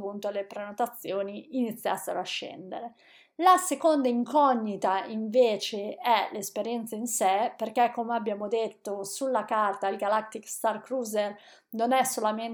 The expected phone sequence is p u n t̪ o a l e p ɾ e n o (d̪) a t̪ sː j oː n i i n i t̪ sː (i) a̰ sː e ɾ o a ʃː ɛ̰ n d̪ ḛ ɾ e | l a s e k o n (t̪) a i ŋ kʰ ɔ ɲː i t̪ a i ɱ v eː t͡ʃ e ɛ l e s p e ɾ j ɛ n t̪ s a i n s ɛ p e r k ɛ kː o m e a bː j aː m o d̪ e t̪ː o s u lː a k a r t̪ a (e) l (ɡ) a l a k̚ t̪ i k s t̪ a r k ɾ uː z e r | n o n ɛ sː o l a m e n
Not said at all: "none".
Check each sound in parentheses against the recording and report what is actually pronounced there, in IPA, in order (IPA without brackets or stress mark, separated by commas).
t̪, j, d̪, i, ɡ